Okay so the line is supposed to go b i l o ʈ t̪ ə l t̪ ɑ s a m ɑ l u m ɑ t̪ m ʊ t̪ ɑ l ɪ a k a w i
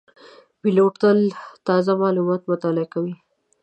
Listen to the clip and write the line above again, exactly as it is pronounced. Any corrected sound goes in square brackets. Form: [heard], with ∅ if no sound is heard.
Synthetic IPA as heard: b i l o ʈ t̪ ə l t̪ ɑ [z] a m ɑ l u m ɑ t̪ m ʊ t̪ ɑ l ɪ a k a w i